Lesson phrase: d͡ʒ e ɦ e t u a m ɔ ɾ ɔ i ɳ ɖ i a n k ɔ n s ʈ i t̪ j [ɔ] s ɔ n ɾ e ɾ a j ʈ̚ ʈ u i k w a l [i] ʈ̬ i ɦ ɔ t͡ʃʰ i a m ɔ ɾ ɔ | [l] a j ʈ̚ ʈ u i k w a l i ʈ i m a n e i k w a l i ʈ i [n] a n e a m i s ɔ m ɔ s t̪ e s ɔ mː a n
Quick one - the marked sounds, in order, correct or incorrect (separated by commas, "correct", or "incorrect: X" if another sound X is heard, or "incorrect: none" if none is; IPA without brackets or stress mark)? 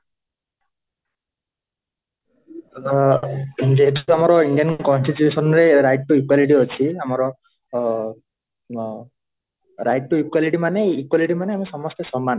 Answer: incorrect: u, correct, incorrect: ɾ, incorrect: m